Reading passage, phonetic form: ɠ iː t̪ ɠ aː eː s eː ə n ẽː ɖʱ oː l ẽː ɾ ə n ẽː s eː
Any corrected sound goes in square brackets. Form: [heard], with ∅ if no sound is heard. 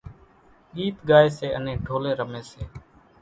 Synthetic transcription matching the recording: ɠ iː t̪ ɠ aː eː s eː ə n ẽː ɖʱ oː l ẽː ɾ ə [m] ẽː s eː